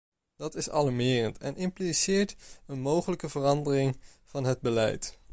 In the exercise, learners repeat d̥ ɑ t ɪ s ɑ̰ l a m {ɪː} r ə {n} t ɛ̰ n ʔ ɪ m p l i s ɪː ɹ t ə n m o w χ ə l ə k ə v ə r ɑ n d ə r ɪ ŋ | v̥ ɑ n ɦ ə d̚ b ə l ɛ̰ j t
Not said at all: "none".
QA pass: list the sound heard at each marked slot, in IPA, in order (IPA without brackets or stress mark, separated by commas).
ɪː, n